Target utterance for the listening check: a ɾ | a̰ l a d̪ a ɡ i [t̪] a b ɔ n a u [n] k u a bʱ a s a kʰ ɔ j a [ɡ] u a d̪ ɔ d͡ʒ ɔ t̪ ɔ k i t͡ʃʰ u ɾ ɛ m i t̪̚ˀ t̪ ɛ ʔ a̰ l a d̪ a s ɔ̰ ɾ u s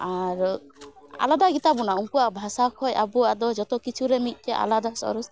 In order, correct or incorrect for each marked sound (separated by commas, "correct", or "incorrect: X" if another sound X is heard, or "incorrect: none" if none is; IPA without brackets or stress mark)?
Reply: correct, incorrect: ŋ, incorrect: b